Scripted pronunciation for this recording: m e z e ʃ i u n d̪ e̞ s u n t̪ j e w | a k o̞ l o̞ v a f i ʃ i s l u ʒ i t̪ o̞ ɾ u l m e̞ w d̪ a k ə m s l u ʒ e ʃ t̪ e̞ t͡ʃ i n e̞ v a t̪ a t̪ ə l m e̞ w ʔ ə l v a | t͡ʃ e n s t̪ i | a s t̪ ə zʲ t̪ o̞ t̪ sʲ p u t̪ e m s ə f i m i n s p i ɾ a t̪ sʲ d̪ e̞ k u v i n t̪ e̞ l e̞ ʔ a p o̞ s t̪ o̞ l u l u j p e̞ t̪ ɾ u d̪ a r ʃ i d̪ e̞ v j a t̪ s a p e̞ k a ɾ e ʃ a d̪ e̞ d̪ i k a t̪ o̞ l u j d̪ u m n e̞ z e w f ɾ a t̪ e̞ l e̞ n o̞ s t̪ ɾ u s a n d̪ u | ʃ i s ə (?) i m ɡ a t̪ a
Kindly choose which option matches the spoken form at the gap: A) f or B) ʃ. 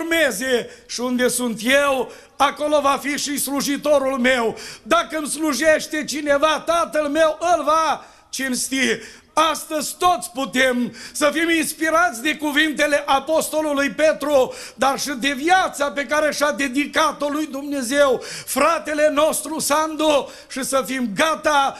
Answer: A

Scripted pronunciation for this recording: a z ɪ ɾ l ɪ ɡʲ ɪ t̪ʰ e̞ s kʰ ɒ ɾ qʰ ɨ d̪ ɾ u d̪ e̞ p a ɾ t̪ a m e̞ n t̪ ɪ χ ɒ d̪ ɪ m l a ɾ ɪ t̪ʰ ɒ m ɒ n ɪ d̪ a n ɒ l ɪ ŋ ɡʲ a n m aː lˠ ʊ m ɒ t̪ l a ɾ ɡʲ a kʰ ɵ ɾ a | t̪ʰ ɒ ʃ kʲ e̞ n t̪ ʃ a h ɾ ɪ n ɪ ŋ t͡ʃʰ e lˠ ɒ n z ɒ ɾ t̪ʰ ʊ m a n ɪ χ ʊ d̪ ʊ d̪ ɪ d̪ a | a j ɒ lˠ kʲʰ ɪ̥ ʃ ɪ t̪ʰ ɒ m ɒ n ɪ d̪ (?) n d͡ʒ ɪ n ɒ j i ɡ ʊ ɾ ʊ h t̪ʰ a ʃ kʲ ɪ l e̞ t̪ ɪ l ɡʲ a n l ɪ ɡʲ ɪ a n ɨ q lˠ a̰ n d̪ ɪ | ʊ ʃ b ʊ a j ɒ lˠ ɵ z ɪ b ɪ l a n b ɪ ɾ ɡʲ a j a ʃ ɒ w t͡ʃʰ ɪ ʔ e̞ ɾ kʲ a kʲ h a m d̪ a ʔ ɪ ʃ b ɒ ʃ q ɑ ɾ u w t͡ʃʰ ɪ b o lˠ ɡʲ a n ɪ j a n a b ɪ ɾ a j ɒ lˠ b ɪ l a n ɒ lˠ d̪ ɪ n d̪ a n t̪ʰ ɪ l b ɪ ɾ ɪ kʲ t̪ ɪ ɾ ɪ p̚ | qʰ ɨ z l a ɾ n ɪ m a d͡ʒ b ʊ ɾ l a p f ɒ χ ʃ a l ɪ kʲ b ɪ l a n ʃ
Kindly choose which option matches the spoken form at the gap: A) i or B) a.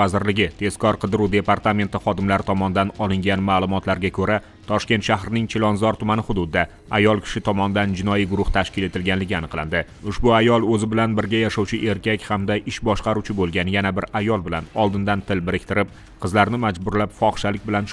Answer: B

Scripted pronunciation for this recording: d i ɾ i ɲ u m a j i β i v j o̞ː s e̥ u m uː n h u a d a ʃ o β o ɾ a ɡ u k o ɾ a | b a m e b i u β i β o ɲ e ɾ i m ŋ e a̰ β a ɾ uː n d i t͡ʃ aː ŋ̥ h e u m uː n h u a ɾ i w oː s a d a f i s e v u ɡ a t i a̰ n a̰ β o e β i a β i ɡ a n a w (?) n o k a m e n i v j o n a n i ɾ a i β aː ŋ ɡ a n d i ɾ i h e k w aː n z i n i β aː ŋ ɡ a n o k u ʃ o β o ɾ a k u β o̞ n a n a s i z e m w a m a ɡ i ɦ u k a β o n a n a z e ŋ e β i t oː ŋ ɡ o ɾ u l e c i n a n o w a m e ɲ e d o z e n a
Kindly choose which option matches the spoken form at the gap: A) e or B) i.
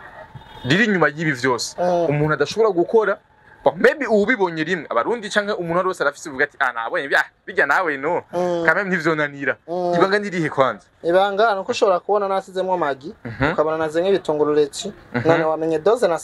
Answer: A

